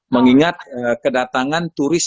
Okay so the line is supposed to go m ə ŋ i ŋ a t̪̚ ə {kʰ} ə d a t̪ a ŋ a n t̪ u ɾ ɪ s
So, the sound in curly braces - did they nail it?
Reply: no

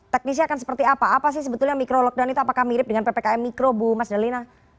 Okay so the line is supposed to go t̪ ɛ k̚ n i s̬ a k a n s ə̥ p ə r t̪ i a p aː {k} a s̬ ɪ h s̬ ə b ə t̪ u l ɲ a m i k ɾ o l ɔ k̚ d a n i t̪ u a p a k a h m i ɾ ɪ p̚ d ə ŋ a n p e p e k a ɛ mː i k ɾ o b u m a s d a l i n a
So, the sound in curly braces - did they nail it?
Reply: no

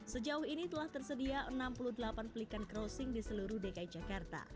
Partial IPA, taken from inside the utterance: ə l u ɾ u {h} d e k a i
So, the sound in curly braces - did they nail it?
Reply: yes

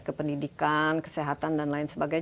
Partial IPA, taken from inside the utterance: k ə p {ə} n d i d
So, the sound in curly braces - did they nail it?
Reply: yes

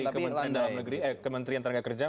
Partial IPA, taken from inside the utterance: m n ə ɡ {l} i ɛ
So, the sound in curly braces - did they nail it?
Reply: no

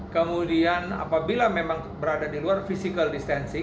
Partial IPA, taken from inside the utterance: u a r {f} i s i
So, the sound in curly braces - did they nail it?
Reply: yes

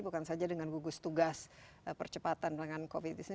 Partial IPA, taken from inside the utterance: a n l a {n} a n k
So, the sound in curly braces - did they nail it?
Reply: no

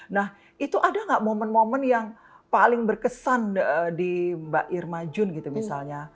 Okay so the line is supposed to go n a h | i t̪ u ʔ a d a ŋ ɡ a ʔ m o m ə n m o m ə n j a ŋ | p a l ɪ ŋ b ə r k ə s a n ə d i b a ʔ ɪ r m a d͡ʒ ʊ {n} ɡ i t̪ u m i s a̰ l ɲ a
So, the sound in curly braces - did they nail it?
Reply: yes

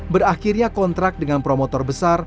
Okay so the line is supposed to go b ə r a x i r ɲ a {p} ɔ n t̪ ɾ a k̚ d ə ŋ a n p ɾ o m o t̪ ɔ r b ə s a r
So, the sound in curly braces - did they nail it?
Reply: no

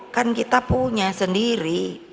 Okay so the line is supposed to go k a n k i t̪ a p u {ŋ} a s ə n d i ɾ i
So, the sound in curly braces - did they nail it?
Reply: no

